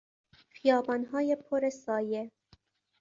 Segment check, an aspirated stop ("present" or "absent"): present